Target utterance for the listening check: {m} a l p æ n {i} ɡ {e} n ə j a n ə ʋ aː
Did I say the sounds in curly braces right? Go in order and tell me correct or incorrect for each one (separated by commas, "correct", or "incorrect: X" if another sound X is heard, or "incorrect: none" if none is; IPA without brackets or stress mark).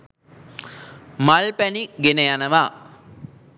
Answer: correct, correct, correct